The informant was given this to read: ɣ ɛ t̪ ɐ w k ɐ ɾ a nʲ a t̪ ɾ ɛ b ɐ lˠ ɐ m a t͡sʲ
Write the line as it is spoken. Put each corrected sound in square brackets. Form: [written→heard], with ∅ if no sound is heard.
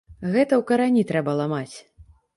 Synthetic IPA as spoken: ɣ ɛ t̪ ɐ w k ɐ ɾ a nʲ [a→i] t̪ ɾ ɛ b ɐ lˠ [ɐ→a] m a t͡sʲ

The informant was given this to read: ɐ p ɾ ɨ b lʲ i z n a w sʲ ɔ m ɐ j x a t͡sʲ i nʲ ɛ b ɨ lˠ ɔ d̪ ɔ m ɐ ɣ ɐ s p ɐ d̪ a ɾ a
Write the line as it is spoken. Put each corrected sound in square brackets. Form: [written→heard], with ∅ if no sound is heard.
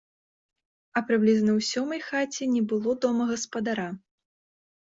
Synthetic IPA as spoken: ɐ p ɾ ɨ b lʲ i z n [a→ɐ] w sʲ ɔ m ɐ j x a t͡sʲ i nʲ ɛ b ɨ lˠ ɔ d̪ ɔ m ɐ ɣ ɐ s p ɐ d̪ a ɾ a

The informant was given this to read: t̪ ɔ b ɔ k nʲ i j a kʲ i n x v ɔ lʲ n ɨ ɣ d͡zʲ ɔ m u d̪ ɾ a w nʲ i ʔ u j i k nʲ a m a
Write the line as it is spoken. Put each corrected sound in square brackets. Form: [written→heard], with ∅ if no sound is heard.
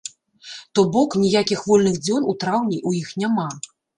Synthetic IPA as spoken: t̪ ɔ b ɔ k nʲ i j a kʲ i [n→∅] x v ɔ lʲ n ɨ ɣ d͡zʲ ɔ [m→n] u [d̪→t̪] ɾ a w nʲ i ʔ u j i [k→x] nʲ a m a

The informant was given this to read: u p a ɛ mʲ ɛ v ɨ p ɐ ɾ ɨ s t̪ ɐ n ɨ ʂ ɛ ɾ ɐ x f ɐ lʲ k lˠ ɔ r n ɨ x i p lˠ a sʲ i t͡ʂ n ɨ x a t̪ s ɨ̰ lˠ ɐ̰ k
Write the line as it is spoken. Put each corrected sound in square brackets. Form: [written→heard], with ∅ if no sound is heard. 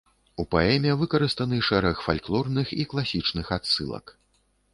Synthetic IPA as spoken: u p a ɛ mʲ ɛ v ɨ [p→k] ɐ ɾ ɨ s t̪ ɐ n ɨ ʂ ɛ ɾ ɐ x f [ɐ→a] lʲ k lˠ ɔ r n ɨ x i [p→k] lˠ a sʲ i t͡ʂ n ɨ x a t̪ s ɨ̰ lˠ ɐ̰ k

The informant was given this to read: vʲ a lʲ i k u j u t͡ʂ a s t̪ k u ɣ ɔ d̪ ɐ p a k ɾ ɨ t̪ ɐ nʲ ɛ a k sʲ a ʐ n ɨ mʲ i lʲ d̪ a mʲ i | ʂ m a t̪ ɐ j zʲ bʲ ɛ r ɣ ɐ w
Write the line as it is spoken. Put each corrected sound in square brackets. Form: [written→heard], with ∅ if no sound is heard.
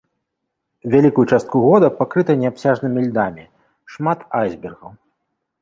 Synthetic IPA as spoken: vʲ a lʲ i k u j u t͡ʂ a s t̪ k u ɣ ɔ d̪ ɐ p a k ɾ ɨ t̪ ɐ nʲ ɛ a [k→p] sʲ a ʐ n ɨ mʲ i lʲ d̪ a mʲ i | ʂ m a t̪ [ɐ→a] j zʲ bʲ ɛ r ɣ ɐ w

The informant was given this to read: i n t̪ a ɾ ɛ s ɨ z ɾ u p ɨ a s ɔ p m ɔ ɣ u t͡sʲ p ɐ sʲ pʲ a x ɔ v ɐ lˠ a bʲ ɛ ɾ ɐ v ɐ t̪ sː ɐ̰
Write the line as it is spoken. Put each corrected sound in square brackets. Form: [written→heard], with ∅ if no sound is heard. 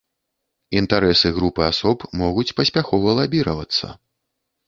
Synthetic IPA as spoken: i n t̪ a ɾ ɛ s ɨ [z→ɣ] ɾ u p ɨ a s ɔ p m ɔ ɣ u t͡sʲ p ɐ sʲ pʲ a x ɔ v ɐ lˠ a bʲ [ɛ→i] ɾ ɐ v ɐ t̪ sː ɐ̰

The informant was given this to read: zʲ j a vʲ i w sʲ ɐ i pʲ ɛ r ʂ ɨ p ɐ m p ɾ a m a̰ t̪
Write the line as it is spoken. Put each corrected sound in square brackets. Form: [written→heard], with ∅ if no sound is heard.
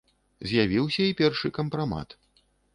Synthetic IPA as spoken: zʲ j a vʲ i w sʲ ɐ i pʲ ɛ r ʂ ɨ [p→k] ɐ m p ɾ a m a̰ t̪

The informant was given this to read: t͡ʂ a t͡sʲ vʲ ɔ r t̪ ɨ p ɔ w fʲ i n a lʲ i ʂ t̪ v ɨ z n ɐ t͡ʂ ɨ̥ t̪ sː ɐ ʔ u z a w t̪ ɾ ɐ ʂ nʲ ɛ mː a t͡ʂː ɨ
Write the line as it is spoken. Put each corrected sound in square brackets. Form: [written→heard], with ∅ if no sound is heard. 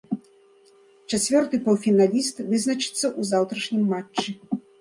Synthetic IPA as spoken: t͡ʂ a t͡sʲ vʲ ɔ r t̪ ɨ p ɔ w fʲ i n a lʲ i [ʂ→s] t̪ v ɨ z n ɐ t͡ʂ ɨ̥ t̪ sː ɐ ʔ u z a w t̪ ɾ ɐ ʂ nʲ [ɛ→i] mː a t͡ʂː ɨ

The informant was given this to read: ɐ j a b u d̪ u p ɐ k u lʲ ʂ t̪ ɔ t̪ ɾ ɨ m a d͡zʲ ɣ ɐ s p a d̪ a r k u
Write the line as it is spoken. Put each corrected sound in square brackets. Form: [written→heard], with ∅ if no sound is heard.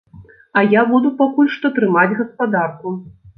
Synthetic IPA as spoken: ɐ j a b u d̪ u p [ɐ→a] k u lʲ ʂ t̪ ɔ t̪ ɾ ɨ m a d͡zʲ ɣ ɐ s p a d̪ a r k u

